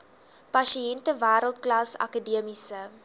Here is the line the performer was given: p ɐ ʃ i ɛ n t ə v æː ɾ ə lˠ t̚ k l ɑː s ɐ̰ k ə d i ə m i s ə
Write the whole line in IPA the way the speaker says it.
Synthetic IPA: p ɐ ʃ i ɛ n t ə v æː ɾ ə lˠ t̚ k l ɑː s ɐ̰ k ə d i ə m i s ə

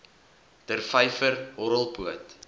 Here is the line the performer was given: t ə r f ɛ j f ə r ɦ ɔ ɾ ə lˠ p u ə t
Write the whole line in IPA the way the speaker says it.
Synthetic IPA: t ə r f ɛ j f ə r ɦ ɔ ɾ ə lˠ p u ə t

